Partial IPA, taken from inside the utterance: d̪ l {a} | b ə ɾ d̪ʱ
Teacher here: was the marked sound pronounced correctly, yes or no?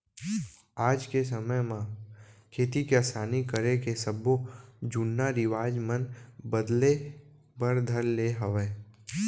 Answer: no